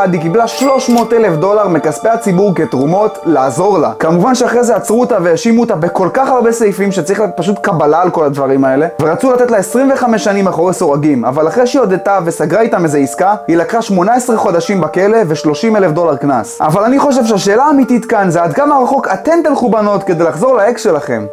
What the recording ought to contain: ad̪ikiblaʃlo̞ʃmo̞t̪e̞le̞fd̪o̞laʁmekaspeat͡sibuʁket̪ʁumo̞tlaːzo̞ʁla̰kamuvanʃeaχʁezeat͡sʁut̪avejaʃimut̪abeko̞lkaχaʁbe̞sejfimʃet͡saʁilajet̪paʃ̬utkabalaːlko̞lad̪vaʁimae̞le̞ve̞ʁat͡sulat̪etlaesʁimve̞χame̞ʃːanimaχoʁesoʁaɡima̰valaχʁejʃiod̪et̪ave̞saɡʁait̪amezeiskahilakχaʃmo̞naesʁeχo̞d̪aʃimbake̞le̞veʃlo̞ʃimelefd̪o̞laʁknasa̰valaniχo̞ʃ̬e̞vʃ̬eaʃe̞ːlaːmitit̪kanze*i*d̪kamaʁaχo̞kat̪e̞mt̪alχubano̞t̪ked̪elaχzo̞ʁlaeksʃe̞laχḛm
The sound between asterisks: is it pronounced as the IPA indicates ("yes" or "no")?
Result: no